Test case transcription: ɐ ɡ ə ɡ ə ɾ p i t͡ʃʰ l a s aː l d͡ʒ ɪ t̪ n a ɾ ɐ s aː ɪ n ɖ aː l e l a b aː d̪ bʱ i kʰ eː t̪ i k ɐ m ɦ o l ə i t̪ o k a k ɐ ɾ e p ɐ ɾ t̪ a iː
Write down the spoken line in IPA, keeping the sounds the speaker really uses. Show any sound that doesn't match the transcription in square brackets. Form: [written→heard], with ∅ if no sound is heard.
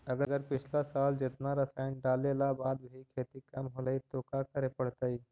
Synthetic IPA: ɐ ɡ ə ɡ ə ɾ p [i→ɪ] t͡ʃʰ l a s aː l d͡ʒ ɪ t̪ n a ɾ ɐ s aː ɪ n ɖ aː l e l a b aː d̪ bʱ i kʰ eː t̪ i k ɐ m ɦ o l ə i t̪ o k a k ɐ ɾ e p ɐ [ɾ→ɽ] t̪ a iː